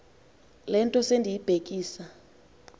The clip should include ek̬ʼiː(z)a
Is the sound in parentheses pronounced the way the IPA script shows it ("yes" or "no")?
no